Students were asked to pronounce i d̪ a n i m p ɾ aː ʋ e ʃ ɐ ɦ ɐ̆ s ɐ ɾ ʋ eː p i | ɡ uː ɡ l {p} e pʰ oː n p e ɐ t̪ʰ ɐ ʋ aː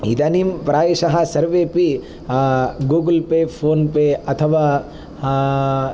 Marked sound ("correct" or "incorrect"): correct